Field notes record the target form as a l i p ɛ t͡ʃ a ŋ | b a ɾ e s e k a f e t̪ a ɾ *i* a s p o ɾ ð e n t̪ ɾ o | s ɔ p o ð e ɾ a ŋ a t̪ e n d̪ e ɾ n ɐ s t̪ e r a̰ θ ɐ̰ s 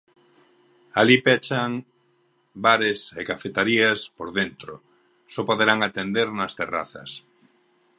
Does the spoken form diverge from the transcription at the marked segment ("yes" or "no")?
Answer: no